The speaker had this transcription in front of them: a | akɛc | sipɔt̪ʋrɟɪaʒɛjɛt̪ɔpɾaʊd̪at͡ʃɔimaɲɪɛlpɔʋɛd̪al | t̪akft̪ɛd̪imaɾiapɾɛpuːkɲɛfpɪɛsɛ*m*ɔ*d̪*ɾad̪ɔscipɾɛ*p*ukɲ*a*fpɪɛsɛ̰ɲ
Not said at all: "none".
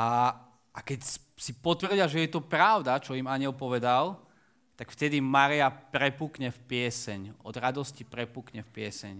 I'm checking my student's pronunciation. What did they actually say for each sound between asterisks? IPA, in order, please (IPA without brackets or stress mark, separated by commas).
ɲ, d̪, p, ɛ